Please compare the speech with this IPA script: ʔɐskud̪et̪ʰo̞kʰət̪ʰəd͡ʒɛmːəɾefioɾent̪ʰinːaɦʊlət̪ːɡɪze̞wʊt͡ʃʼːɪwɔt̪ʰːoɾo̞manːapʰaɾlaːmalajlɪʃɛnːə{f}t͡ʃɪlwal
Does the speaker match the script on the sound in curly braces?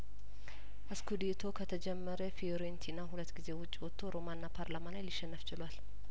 yes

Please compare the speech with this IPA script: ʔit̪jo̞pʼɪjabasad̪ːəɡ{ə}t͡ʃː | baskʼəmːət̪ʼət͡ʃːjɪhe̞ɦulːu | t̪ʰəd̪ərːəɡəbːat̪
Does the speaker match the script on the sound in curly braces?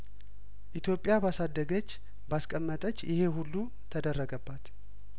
yes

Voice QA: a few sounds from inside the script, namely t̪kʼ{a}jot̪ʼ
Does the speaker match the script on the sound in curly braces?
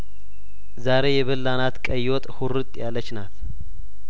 no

